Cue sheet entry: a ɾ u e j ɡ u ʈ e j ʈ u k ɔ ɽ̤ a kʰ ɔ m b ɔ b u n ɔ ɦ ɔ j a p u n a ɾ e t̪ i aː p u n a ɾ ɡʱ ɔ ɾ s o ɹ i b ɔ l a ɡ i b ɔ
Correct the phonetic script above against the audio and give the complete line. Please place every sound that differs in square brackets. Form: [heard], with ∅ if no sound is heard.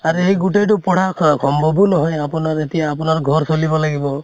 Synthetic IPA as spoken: a ɾ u e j ɡ u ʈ e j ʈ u [p] ɔ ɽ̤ a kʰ ɔ m b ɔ b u n ɔ ɦ ɔ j a p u n a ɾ e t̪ i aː p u n a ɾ ɡʱ ɔ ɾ s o [l] i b ɔ l a ɡ i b ɔ